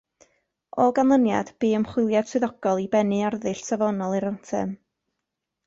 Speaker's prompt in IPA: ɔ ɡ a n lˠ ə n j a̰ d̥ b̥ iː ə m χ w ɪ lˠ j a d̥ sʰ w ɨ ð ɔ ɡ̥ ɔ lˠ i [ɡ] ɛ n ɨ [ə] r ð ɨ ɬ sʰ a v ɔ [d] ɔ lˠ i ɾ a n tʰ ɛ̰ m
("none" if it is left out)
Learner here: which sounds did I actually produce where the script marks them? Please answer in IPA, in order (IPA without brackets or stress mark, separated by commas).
b, a, n